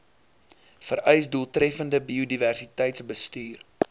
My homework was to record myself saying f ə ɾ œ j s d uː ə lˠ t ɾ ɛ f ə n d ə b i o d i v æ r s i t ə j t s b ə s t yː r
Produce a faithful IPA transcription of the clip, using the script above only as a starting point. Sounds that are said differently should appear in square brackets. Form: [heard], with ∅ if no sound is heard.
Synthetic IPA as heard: f ə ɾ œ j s d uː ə lˠ t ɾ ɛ f ə n d ə b i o d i v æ r s i t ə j t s b ə s t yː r